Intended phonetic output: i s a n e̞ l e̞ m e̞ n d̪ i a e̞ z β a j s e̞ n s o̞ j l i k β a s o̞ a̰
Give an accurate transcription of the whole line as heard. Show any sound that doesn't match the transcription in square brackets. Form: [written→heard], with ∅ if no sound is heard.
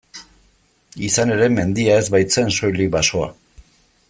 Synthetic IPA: i s a n e̞ [l→ɾ] e̞ m e̞ n d̪ i a e̞ z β a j [s→t͡s] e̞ n s o̞ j l i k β a s o̞ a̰